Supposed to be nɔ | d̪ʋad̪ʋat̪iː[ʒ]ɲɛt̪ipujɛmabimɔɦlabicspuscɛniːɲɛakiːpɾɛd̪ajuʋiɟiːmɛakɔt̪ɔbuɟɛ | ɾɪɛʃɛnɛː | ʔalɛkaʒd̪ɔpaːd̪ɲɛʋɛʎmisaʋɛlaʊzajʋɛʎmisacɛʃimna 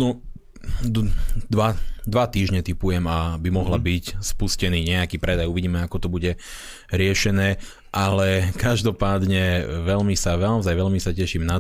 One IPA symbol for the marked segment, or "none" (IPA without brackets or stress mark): ʒ